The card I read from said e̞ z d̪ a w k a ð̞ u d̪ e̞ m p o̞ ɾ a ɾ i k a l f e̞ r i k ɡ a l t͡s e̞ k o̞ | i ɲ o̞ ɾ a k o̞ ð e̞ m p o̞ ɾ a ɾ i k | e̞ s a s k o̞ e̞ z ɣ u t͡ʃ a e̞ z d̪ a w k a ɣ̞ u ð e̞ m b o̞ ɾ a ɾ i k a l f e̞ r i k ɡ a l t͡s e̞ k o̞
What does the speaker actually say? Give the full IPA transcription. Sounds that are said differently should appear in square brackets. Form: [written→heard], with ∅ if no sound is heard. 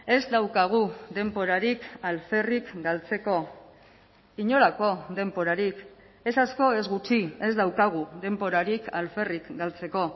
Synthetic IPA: e̞ z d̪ a w k a [ð̞→ɣ̞] u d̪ e̞ m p o̞ ɾ a ɾ i k a l f e̞ r i k ɡ a l t͡s e̞ k o̞ | i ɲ o̞ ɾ a k o̞ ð e̞ m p o̞ ɾ a ɾ i k | e̞ s a s k o̞ e̞ z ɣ u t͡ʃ [a→i] e̞ z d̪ a w k a ɣ̞ u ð e̞ m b o̞ ɾ a ɾ i k a l f e̞ r i k ɡ a l t͡s e̞ k o̞

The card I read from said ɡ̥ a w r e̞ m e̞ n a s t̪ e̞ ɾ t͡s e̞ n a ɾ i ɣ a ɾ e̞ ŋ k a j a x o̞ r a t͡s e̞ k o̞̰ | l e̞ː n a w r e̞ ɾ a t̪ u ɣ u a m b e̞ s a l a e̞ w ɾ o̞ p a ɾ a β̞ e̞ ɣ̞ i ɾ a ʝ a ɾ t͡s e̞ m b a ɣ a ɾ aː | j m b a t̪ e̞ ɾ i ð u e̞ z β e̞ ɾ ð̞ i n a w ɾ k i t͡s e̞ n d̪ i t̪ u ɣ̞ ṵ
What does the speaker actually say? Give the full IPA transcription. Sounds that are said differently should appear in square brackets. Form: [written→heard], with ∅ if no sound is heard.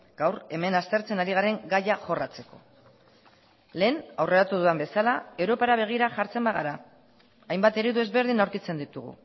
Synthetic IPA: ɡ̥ a w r e̞ m e̞ n a s t̪ e̞ ɾ t͡s e̞ n a ɾ i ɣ a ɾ e̞ ŋ [k→ɡ] a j a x o̞ r a t͡s e̞ k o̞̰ | l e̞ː n a w r e̞ ɾ a t̪ u [ɣ→ð] u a m b e̞ s a l a e̞ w ɾ o̞ p a ɾ a β̞ e̞ ɣ̞ i ɾ a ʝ a ɾ t͡s e̞ m b a ɣ a ɾ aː | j m b a t̪ e̞ ɾ i ð u e̞ z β e̞ ɾ ð̞ i n a w ɾ k i t͡s e̞ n d̪ i t̪ u ɣ̞ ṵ

